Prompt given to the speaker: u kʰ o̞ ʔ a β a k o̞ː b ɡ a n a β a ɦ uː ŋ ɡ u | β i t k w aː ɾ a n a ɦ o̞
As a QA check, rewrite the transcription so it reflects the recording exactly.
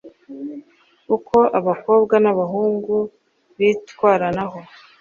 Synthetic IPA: u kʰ o̞ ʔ a β a k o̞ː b ɡ a n a β a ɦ uː ŋ ɡ u | β i t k w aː ɾ a n a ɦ o̞